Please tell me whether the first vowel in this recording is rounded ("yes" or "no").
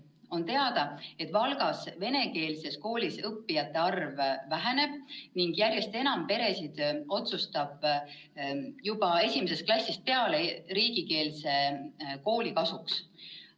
yes